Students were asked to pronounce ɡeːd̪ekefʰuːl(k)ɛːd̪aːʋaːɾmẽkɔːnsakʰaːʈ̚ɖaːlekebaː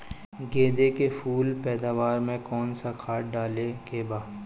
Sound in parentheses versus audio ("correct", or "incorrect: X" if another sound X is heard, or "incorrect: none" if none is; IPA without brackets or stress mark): incorrect: p